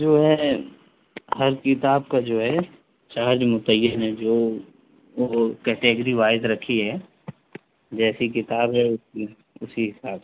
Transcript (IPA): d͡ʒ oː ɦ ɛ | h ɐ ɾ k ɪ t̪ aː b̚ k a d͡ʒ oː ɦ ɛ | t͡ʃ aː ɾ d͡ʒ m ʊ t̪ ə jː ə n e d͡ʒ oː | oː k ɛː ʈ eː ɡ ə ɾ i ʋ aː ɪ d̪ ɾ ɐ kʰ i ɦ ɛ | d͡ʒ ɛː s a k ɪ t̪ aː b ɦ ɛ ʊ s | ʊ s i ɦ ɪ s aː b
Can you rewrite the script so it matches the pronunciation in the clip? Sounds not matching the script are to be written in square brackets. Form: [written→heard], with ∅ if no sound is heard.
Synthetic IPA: d͡ʒ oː ɦ ɛ | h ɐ ɾ k ɪ t̪ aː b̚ k a d͡ʒ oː ɦ ɛ | t͡ʃ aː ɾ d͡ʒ m ʊ t̪ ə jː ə n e d͡ʒ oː | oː k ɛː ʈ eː ɡ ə ɾ i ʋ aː ɪ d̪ ɾ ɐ kʰ i ɦ ɛ | d͡ʒ ɛː s [a→i] k ɪ t̪ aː b ɦ ɛ ʊ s | ʊ s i ɦ ɪ s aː b